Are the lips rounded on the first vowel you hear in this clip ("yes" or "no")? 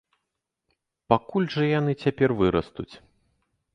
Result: no